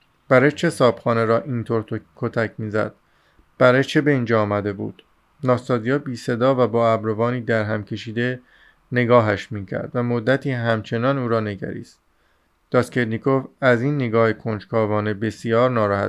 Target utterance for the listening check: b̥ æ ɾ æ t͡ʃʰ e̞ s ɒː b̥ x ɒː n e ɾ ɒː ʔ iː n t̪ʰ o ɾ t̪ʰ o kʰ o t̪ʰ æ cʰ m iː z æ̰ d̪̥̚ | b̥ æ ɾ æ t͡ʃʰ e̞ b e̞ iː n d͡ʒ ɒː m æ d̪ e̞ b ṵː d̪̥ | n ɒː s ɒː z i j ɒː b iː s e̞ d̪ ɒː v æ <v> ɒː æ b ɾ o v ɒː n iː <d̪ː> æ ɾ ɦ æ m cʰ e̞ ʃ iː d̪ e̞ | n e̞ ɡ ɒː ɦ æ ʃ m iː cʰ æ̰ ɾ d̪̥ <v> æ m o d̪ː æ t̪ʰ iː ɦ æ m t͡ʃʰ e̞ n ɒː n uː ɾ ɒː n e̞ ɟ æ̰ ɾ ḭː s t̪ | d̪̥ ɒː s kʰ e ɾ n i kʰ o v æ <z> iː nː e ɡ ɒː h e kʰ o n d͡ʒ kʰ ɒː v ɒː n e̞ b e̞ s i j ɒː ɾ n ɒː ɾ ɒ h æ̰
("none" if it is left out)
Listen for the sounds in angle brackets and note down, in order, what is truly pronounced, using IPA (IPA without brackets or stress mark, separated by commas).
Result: b, d̪, v, z